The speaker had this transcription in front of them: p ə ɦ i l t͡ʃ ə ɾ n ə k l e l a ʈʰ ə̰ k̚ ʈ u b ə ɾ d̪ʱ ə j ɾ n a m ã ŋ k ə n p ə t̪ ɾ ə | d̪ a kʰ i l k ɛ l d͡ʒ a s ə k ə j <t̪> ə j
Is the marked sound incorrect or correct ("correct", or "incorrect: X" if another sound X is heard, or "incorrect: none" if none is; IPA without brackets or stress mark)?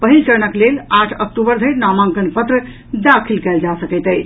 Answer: correct